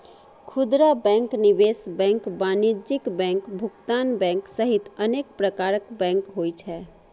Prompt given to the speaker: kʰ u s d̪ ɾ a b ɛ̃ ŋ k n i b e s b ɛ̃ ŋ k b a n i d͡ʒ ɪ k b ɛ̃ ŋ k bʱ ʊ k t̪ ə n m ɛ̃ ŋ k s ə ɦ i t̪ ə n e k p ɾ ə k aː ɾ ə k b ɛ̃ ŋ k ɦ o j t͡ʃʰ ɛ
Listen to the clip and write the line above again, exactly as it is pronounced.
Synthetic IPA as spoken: kʰ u d̪ ɾ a b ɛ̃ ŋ k n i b e s b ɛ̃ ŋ k b a n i d͡ʒ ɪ k b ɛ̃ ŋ k bʱ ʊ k t̪ a n b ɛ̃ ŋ k s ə ɦ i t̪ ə n e k p ɾ ə k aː ɾ ə k b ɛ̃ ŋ k ɦ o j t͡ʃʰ ɛ